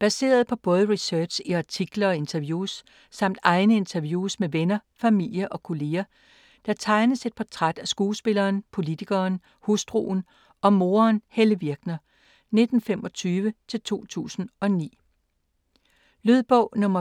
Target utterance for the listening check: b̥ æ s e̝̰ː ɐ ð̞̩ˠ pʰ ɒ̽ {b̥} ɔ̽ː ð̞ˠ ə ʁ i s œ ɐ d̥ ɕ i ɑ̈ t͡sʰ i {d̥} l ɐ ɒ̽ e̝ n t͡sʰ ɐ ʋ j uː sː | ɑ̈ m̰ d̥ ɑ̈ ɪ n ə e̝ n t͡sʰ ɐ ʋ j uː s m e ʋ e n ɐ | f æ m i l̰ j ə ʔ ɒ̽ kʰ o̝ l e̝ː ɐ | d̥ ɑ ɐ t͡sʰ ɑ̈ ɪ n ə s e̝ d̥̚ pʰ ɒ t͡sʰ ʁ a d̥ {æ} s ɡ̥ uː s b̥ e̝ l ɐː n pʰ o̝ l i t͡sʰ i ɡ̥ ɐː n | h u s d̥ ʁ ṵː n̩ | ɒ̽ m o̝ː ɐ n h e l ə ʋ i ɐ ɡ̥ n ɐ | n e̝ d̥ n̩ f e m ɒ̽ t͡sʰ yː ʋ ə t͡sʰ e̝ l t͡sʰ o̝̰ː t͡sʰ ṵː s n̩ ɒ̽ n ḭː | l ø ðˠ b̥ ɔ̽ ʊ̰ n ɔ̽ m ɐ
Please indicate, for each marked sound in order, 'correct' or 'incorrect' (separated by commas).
correct, incorrect, correct